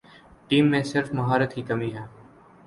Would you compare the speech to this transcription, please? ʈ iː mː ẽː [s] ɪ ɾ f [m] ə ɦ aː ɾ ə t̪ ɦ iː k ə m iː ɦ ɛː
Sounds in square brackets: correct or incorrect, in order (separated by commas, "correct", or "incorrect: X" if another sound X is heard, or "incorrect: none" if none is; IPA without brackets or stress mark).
correct, correct